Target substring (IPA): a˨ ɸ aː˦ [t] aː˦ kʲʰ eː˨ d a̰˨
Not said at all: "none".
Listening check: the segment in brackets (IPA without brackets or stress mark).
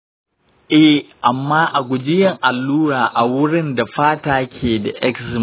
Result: t